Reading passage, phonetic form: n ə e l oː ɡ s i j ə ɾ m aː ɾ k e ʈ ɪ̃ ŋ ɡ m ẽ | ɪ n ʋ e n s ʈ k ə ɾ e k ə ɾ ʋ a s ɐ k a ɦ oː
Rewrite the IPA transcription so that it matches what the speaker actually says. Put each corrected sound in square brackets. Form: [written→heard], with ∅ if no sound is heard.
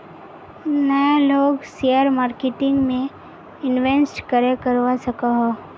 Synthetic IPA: n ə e l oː ɡ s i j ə ɾ m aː ɾ k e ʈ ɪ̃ ŋ ɡ m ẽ | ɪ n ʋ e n s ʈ k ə ɾ e k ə ɾ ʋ a s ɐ k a ɦ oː